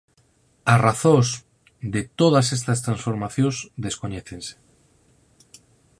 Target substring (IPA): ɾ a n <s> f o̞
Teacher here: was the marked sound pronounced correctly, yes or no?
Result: yes